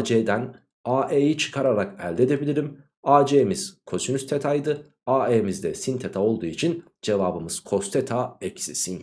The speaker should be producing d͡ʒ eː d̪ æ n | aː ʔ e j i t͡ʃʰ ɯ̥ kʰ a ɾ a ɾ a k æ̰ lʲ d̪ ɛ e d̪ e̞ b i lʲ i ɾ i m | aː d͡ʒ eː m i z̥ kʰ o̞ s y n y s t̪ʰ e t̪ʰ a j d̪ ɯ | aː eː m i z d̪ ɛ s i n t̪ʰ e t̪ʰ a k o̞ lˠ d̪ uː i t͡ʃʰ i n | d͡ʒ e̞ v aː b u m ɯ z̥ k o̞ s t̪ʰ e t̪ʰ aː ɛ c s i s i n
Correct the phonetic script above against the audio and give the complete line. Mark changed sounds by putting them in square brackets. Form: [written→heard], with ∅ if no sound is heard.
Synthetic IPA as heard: d͡ʒ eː d̪ æ n | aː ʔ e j i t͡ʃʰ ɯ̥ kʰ a ɾ a ɾ a k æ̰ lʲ d̪ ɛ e d̪ e̞ b i lʲ i ɾ i m | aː d͡ʒ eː m i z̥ kʰ o̞ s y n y s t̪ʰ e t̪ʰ a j d̪ ɯ | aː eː m i z d̪ ɛ s i n t̪ʰ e t̪ʰ a [k→∅] o̞ lˠ d̪ uː i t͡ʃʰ i n | d͡ʒ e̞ v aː b [u→ɯ] m ɯ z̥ [k→kʰ] o̞ s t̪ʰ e t̪ʰ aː ɛ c s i s i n